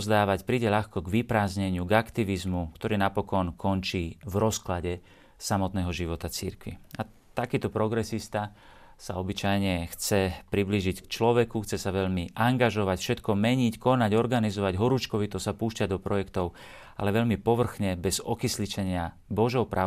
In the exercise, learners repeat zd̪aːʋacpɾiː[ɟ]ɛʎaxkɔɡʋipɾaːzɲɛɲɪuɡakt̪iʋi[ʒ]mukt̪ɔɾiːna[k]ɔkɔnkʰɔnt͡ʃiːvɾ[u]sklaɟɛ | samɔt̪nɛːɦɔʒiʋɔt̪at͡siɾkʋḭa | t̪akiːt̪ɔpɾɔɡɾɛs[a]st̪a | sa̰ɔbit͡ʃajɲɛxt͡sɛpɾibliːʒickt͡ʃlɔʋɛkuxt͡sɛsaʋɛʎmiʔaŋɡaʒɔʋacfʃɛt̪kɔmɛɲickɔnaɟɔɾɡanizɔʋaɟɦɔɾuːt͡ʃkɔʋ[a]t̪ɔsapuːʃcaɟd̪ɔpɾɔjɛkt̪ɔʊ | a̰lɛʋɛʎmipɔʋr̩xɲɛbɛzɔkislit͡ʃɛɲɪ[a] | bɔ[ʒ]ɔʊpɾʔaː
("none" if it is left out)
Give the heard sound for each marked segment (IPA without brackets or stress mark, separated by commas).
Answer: ɟ, z, p, ɔ, i, i, a, ʒ